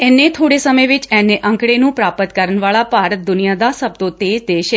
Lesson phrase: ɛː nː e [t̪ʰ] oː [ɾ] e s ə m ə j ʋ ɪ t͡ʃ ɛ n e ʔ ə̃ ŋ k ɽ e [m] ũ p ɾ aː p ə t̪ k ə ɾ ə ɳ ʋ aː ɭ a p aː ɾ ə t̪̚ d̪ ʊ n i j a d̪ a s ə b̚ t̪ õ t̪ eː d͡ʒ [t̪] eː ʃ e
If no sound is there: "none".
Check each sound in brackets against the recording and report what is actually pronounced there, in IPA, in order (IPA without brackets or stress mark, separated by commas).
t̪ʰ, ɽ, n, d̪